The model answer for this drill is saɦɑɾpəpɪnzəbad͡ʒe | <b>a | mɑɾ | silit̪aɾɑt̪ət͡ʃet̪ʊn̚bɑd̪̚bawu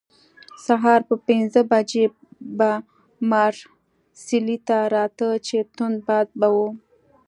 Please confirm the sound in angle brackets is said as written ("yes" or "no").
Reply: yes